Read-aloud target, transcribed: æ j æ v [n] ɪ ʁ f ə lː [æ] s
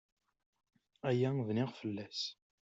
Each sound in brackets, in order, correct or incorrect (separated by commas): correct, correct